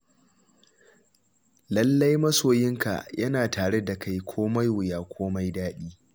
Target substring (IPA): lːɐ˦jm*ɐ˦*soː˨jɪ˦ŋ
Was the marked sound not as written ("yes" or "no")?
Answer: no